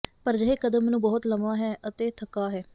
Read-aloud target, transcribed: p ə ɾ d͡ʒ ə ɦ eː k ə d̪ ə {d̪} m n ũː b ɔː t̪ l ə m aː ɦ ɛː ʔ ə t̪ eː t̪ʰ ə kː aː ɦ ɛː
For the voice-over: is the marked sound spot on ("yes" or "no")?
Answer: no